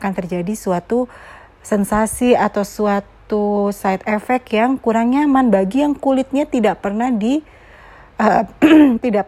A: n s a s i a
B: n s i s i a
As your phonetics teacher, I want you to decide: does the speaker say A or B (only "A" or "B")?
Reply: A